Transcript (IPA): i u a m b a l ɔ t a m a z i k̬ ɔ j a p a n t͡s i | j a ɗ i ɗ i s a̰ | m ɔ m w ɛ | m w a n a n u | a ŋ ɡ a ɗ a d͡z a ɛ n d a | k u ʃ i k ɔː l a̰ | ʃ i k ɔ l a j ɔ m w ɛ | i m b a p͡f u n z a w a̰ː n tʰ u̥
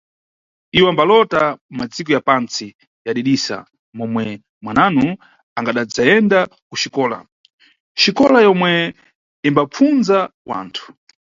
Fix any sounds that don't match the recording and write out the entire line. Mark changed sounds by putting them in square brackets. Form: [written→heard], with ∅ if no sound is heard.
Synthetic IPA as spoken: i [u→w] a m b a l ɔ t a m a [z→d͡z] i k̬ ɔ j a p a n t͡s i | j a ɗ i ɗ i s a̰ | m ɔ m w ɛ | m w a n a n u | a ŋ ɡ a ɗ a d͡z a ɛ n d a | k u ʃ i k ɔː l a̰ | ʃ i k ɔ l a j ɔ m w ɛ | i m b a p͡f u n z a w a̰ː n tʰ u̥